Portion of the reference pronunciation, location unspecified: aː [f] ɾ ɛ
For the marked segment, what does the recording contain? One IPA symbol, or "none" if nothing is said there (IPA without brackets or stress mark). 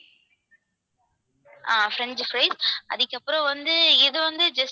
f